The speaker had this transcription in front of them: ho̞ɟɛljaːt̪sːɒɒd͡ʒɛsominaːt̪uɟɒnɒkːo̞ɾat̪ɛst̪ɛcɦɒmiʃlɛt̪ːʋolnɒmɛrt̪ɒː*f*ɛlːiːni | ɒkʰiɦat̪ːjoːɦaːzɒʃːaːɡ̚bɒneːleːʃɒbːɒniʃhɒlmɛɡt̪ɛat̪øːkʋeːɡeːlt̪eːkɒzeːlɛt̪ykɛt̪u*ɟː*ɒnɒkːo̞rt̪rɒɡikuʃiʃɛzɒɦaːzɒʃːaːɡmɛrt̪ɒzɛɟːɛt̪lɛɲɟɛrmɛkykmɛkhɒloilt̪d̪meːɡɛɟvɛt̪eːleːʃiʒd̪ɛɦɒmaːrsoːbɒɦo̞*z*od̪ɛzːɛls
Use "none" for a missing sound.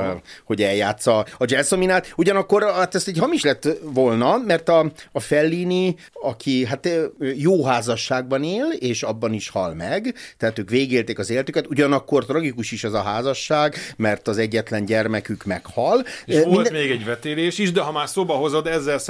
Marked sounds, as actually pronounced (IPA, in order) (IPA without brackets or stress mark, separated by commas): f, ɟ, z